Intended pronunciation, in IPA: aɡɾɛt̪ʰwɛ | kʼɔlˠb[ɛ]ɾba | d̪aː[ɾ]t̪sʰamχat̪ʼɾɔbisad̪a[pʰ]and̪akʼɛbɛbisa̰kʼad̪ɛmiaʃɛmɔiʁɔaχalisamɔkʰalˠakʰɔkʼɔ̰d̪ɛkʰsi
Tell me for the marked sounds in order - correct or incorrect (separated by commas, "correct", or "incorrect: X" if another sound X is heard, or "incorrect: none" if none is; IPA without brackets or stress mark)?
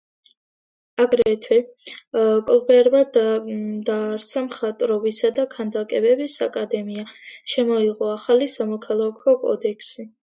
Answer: correct, correct, incorrect: kʰ